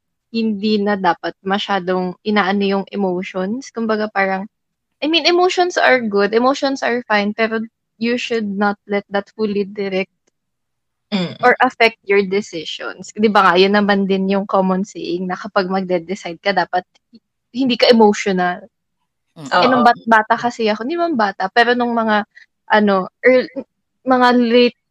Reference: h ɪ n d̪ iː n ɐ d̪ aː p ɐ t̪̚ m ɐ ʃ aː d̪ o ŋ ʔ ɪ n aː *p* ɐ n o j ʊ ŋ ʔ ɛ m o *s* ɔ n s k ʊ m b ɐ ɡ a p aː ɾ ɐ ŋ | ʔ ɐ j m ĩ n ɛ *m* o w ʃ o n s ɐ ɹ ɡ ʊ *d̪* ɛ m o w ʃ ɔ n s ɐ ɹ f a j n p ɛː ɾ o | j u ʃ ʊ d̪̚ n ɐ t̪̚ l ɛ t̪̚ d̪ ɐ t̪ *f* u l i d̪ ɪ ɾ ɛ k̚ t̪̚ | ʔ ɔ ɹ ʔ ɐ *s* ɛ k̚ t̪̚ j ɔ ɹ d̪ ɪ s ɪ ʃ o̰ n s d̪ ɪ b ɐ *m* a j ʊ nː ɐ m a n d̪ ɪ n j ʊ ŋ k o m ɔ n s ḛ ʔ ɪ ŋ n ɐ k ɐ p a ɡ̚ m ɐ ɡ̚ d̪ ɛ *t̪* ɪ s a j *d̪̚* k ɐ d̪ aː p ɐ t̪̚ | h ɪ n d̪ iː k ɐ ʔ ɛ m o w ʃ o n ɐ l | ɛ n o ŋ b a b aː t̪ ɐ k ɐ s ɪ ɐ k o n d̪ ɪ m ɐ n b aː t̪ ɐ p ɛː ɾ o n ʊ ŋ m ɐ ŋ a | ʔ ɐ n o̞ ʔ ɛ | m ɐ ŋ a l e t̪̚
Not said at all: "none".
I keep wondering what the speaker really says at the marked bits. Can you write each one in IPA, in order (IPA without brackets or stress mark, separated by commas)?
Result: ʔ, ʃ, m, d̪, f, f, ŋ, d̪, d̪̚